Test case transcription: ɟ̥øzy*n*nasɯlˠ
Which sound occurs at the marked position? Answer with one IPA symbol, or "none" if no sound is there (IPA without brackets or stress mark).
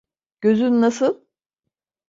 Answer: n